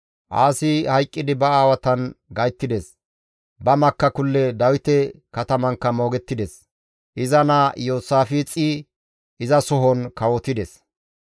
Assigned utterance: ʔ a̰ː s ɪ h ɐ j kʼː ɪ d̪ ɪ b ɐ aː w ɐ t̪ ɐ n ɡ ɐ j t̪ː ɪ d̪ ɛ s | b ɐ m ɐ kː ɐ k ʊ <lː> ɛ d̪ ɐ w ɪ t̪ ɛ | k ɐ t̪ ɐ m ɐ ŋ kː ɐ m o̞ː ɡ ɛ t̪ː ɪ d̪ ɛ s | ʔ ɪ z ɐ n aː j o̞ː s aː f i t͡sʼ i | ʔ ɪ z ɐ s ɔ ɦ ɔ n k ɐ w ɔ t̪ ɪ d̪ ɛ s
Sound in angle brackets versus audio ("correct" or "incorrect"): correct